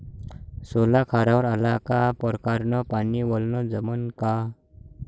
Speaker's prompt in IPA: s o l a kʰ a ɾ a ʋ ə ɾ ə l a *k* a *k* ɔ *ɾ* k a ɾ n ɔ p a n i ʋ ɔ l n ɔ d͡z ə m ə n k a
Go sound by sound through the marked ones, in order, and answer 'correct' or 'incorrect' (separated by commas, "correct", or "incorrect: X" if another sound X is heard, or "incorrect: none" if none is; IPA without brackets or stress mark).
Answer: correct, incorrect: p, correct